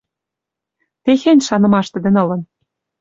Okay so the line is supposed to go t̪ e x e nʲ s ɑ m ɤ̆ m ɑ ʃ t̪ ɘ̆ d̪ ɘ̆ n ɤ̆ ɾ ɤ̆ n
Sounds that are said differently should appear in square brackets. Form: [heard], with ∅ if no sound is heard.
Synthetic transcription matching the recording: t̪ e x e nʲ [ʃ] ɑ [n] ɤ̆ m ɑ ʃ t̪ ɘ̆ d̪ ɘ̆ n ɤ̆ [l] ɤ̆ n